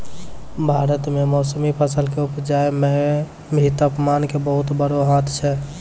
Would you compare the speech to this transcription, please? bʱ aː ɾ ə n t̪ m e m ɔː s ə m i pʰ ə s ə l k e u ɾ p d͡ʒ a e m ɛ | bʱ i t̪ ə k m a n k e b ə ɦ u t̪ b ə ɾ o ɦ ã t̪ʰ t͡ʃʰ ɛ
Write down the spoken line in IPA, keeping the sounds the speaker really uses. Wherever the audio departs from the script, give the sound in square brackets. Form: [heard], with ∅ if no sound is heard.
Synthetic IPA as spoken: bʱ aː ɾ ə [∅] t̪ m e m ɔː s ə m i pʰ ə s ə l k e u [∅] p d͡ʒ a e m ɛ | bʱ i t̪ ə [p] m a n k e b ə ɦ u t̪ b ə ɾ o ɦ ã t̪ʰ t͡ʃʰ ɛ